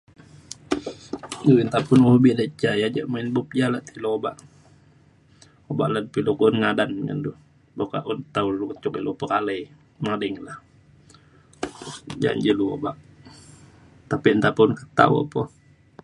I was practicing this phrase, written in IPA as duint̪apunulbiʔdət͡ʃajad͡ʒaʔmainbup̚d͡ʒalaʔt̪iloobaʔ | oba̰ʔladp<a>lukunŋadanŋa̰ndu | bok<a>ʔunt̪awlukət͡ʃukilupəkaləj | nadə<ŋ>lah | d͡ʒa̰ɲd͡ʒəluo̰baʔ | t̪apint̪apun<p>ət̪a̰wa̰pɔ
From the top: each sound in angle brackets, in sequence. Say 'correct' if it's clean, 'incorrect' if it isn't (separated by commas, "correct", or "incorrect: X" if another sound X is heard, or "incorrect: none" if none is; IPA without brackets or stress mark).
incorrect: i, correct, correct, incorrect: k